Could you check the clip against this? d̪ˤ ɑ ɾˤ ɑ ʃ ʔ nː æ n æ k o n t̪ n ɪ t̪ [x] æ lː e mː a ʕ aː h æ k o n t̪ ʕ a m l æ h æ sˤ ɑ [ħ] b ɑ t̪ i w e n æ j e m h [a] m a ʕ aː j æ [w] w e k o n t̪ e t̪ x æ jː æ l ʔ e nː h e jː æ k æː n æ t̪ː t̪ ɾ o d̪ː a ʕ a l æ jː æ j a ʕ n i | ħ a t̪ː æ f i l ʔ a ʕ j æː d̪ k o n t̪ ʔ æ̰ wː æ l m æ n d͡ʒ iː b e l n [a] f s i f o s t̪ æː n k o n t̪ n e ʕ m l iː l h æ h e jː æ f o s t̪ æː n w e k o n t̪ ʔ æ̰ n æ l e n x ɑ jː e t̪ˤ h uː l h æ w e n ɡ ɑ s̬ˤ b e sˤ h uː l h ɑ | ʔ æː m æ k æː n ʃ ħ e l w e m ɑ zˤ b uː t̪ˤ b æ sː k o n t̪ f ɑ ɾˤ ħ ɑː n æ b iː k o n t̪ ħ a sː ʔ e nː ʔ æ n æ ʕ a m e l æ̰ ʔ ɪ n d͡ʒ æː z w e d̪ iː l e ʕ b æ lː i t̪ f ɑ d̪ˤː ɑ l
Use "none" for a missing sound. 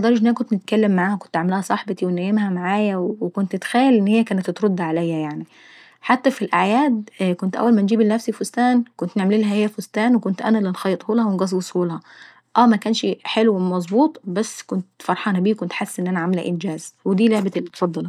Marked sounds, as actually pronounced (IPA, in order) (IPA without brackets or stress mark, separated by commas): k, ħ, æ, w, æ